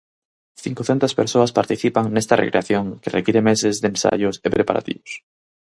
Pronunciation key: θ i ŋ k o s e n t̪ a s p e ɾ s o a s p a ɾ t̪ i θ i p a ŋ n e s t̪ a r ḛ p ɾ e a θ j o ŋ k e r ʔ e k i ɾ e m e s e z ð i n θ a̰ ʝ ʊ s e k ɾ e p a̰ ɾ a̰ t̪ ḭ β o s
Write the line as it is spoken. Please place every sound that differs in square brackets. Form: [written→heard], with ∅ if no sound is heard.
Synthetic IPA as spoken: θ i ŋ k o [s→θ] e n t̪ a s p e ɾ s o a s p a ɾ t̪ i θ i p a ŋ n e s t̪ a r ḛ [p→k] ɾ e a θ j o ŋ k e r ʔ e k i ɾ e m e s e z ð [i→e] n [θ→s] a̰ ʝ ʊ s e [k→p] ɾ e p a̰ ɾ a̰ t̪ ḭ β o s